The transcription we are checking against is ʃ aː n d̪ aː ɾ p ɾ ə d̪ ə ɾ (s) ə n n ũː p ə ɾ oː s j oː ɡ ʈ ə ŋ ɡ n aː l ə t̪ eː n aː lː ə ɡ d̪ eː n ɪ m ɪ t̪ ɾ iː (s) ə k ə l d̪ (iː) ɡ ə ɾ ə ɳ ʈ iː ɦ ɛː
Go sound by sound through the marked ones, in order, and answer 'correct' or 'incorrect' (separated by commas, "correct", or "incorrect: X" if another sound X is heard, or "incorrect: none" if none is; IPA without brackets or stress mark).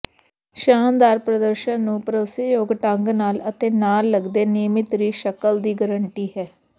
incorrect: ʃ, incorrect: ʃ, correct